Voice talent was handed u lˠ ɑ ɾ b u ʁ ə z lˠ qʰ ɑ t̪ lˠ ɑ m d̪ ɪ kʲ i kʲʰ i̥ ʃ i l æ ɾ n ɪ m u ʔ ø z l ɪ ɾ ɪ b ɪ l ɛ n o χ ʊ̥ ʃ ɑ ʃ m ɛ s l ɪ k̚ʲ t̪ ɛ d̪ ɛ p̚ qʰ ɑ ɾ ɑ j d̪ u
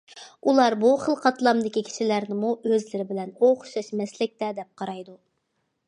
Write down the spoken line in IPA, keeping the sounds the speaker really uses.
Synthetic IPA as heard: u lˠ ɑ ɾ b u χ ə lˠ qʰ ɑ t̪ lˠ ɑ m d̪ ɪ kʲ i kʲʰ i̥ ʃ i l æ ɾ n ɪ m u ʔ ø z l ɪ ɾ ɪ b ɪ l ɛ n o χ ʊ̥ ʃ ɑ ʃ m ɛ s l ɪ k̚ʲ t̪ ɛ d̪ ɛ p̚ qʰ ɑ ɾ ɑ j d̪ u